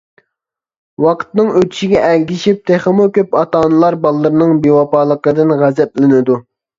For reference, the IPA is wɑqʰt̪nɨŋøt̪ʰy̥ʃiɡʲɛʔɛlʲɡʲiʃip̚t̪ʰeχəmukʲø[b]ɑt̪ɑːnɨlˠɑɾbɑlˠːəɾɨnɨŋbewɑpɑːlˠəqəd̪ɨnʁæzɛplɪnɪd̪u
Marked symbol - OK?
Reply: no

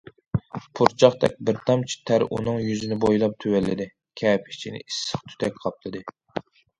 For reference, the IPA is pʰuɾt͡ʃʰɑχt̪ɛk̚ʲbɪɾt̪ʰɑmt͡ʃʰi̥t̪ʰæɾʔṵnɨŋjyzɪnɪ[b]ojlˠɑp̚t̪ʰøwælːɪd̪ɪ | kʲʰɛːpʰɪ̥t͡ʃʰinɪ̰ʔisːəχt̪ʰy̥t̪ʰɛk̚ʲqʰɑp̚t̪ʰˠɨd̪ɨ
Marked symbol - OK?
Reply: yes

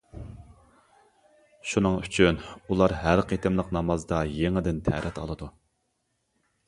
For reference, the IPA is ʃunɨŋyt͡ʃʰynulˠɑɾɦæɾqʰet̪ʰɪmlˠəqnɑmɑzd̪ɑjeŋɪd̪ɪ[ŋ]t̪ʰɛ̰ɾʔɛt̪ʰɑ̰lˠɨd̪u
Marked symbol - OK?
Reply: no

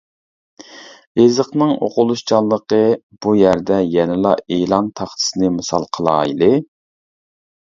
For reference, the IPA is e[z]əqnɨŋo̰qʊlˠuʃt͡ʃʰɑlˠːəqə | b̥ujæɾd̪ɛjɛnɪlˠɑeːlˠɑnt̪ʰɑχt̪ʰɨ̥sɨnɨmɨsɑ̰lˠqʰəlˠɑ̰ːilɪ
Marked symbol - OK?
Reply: yes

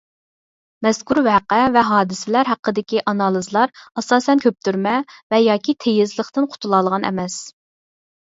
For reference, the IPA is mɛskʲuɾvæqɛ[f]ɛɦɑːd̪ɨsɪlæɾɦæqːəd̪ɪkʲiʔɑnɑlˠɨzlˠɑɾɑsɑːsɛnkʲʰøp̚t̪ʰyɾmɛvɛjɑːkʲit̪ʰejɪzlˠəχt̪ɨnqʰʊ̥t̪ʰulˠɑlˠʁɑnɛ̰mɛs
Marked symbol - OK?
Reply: no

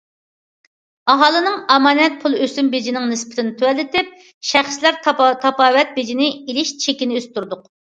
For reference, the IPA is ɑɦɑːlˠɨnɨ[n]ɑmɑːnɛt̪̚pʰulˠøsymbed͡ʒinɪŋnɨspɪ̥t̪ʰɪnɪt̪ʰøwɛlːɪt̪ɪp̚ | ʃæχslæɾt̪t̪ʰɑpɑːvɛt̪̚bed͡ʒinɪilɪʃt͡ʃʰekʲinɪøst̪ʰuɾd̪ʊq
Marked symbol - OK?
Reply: no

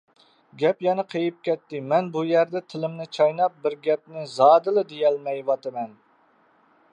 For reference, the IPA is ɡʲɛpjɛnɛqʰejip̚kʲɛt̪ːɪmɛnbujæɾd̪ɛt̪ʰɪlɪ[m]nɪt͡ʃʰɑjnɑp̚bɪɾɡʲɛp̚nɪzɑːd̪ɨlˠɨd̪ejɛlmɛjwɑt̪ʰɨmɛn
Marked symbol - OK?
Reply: yes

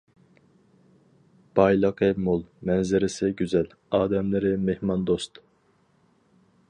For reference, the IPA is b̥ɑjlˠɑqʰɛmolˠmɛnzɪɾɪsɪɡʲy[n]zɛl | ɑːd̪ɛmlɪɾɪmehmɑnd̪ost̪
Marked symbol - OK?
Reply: no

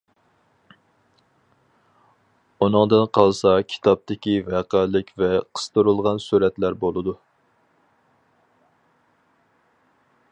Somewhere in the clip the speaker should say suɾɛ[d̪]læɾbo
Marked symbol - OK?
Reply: no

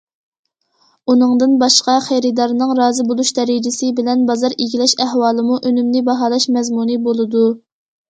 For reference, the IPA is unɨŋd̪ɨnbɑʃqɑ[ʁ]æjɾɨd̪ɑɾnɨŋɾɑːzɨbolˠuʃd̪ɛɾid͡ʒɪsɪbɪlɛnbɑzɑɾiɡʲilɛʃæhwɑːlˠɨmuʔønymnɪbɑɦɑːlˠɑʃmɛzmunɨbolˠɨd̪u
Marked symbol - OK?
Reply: no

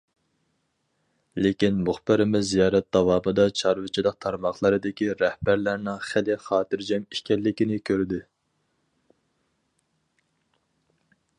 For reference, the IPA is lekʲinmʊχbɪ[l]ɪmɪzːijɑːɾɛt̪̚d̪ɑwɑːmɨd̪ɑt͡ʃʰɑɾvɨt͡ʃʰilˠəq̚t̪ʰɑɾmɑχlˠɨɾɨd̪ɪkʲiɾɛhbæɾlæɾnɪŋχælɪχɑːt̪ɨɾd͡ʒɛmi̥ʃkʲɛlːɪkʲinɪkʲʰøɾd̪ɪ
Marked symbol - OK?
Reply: no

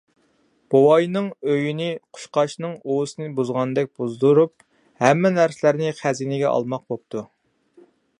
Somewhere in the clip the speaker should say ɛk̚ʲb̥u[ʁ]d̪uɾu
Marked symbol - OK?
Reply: no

